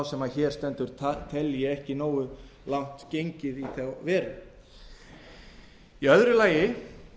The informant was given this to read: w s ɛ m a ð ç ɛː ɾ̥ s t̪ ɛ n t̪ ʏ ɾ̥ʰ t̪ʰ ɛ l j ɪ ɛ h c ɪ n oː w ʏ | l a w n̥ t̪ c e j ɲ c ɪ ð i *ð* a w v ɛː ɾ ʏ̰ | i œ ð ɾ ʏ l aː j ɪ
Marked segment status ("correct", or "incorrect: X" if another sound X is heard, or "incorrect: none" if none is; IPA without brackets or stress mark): incorrect: θ